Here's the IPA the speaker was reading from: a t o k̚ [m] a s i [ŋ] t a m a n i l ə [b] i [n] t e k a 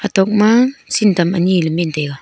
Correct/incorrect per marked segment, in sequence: correct, incorrect, incorrect, correct

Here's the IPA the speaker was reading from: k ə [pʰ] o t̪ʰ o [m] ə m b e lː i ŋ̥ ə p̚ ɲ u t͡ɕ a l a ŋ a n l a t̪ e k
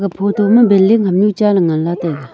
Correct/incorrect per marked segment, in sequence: correct, correct

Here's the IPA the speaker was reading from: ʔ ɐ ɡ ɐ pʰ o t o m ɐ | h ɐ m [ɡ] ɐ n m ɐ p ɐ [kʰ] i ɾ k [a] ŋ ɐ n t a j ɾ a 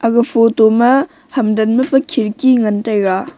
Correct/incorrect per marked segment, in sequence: incorrect, correct, incorrect

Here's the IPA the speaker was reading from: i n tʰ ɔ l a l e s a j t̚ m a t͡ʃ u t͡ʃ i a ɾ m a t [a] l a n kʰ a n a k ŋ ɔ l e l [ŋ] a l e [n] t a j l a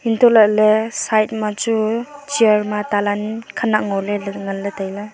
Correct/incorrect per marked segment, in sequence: correct, correct, incorrect

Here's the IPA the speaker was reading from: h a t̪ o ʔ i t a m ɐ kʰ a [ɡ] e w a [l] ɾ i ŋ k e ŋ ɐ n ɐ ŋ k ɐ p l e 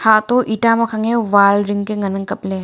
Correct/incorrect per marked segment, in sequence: incorrect, correct

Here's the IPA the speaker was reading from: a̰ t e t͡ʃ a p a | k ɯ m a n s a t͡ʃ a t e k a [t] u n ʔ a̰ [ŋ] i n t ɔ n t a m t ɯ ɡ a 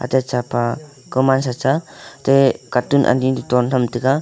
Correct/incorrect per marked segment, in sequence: correct, incorrect

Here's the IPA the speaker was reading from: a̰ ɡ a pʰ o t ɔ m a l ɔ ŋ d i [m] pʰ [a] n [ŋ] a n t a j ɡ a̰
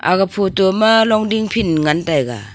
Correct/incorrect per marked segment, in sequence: incorrect, incorrect, correct

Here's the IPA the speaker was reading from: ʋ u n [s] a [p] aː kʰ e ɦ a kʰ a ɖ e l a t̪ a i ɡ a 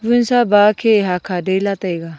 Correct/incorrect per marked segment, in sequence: correct, incorrect

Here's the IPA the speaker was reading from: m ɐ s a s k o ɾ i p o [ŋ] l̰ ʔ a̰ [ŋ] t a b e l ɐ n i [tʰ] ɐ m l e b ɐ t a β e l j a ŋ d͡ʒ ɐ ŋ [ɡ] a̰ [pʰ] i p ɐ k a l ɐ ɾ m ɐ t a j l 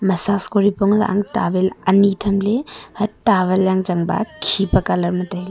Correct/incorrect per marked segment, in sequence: correct, correct, correct, incorrect, incorrect

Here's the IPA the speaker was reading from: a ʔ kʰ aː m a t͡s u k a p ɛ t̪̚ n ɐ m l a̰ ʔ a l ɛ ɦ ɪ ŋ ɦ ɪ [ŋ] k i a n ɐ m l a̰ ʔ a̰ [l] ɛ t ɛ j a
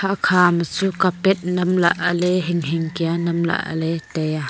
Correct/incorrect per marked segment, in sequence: correct, correct

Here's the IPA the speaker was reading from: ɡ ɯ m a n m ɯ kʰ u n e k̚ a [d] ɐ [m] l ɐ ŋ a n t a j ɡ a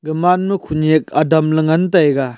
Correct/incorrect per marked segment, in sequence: correct, correct

